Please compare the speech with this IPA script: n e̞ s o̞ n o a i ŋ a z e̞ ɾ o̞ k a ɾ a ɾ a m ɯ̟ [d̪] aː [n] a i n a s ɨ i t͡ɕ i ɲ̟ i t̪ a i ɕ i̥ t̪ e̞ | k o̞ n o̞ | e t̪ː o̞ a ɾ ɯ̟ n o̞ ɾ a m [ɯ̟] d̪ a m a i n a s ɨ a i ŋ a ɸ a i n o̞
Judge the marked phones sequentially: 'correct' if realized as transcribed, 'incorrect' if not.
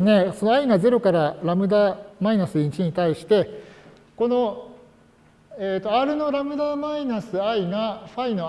correct, incorrect, correct

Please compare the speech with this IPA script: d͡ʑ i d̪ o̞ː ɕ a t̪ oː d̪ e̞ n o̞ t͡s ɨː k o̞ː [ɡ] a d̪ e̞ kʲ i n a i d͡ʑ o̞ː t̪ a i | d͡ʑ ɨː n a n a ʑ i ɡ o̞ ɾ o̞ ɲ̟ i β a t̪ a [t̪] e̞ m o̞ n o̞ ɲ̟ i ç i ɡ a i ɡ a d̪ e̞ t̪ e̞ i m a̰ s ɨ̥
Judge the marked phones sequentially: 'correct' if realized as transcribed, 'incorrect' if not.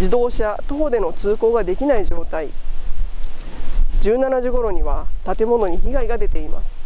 correct, correct

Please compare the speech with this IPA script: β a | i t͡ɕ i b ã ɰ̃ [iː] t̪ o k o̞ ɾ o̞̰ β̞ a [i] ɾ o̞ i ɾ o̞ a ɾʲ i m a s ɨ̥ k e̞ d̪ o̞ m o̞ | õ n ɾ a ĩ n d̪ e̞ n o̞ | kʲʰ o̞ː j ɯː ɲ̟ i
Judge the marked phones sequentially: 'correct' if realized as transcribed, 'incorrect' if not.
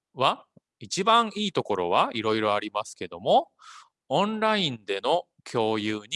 correct, correct

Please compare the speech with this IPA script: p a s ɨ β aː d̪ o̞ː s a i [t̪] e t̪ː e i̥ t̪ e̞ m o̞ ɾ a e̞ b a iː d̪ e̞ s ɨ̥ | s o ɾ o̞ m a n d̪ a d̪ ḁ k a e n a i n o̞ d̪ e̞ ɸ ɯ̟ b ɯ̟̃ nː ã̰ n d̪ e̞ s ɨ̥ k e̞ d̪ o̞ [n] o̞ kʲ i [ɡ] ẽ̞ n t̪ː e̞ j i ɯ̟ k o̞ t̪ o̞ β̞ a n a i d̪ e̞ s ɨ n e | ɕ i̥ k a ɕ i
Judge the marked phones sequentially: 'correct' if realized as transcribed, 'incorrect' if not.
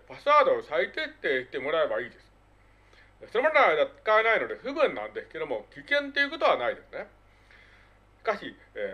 correct, incorrect, incorrect

